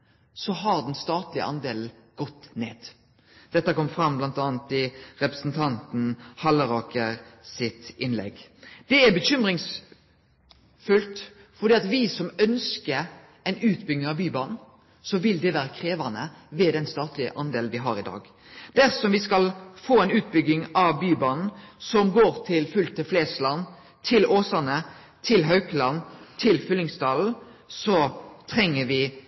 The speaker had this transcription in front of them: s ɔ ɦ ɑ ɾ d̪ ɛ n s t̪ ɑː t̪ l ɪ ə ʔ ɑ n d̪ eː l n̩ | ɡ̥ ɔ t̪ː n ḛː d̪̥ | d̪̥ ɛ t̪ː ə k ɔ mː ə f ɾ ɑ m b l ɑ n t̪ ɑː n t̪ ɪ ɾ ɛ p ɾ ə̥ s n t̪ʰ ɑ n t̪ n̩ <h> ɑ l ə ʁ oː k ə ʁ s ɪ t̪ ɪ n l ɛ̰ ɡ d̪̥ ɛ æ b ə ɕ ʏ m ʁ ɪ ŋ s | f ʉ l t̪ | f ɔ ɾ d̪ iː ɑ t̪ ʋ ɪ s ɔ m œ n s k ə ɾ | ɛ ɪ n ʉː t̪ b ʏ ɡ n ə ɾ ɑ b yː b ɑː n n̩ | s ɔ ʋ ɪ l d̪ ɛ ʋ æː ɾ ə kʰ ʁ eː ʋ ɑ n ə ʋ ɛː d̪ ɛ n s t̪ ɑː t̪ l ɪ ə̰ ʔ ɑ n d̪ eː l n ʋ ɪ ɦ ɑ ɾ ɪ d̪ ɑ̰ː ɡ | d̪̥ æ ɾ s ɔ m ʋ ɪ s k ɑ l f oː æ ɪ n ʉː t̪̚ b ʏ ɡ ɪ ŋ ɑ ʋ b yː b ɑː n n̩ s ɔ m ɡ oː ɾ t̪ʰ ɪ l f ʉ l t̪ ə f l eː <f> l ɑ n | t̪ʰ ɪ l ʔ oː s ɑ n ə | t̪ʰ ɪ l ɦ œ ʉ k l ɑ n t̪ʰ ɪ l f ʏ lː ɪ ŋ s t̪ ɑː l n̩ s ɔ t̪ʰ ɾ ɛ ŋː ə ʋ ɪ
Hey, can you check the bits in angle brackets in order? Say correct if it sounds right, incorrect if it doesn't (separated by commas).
correct, incorrect